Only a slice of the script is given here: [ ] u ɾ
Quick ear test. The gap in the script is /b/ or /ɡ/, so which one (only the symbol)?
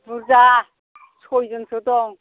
b